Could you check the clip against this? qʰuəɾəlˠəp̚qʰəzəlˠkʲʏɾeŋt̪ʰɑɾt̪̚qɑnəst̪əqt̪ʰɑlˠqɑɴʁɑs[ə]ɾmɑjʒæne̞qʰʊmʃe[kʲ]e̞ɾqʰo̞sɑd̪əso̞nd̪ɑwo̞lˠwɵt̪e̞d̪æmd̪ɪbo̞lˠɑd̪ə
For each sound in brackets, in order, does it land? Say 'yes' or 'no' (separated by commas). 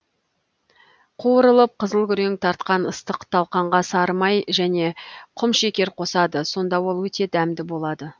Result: no, yes